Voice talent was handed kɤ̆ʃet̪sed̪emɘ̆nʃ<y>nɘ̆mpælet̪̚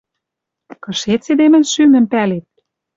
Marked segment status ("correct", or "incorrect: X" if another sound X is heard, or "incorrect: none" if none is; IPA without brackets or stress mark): correct